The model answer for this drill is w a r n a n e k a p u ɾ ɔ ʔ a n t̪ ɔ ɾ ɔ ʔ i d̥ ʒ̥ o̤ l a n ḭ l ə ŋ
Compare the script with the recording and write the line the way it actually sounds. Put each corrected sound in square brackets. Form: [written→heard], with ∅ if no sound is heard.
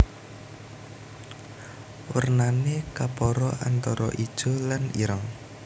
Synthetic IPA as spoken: w [a→ə] r n a n e k a p [u→ɔ] ɾ ɔ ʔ a n t̪ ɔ ɾ ɔ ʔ i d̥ ʒ̥ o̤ l a n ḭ [l→ɾ] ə ŋ